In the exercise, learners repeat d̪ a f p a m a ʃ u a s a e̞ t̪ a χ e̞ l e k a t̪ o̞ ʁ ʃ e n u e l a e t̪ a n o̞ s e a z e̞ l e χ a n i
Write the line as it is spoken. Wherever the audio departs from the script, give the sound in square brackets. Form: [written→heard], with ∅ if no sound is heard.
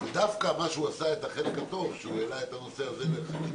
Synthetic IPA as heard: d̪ a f [p→k] a m a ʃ u a s a e̞ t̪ a χ e̞ l e k a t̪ o̞ [ʁ→v] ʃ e [n→∅] u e l a e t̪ a n o̞ s e a z e̞ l e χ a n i